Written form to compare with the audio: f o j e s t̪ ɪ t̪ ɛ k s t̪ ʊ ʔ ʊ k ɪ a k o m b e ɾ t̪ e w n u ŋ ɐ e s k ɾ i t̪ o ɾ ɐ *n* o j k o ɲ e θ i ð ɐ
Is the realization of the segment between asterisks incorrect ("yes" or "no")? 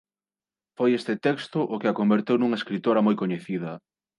yes